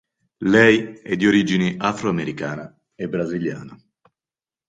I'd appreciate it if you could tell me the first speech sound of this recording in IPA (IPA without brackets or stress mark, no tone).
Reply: l